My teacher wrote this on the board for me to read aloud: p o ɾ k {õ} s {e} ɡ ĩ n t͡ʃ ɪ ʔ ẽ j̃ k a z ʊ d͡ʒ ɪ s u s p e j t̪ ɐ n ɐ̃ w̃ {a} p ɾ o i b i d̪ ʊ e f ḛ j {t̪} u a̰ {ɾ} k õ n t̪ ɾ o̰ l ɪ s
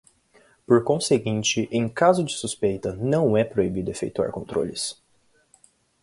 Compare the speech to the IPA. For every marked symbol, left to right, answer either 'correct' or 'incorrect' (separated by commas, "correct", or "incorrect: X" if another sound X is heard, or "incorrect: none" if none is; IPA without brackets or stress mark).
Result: correct, correct, incorrect: ɛ, correct, correct